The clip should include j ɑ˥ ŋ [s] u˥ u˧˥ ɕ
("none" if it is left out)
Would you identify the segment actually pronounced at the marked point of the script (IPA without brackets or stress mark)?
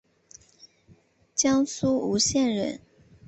s